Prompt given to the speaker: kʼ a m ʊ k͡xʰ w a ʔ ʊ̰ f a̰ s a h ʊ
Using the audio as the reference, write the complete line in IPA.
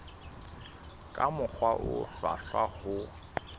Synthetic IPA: kʼ a m ʊ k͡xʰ w a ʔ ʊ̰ f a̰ f a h ʊ